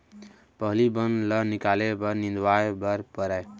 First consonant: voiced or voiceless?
voiceless